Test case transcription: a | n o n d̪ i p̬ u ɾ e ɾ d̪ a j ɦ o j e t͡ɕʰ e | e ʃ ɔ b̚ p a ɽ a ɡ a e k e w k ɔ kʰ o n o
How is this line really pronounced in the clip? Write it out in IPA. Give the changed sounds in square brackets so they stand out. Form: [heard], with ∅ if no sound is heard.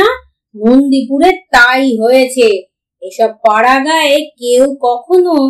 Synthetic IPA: a | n o n d̪ i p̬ u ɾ e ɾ [t̪] a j ɦ o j e t͡ɕʰ e | e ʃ ɔ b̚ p a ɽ a ɡ a e k e w k ɔ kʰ o n o